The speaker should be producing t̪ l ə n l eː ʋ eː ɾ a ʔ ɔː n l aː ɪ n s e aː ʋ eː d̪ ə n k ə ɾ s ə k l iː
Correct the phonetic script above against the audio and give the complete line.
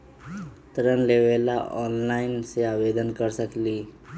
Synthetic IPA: t̪ ɾ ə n l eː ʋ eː l a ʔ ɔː n l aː ɪ n s e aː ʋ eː d̪ ə n k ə ɾ s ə k l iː